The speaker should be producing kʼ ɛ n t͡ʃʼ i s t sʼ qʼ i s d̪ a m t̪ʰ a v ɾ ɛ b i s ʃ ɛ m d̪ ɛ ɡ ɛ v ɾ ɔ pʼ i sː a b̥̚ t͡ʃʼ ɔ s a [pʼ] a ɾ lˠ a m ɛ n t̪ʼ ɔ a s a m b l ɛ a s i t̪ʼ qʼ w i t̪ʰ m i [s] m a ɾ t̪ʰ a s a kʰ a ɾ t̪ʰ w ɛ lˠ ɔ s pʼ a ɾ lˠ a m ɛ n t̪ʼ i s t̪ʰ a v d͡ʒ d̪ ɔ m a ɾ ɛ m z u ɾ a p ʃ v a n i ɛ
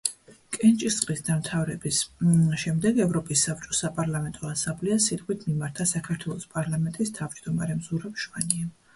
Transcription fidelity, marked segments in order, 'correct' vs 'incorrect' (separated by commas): correct, incorrect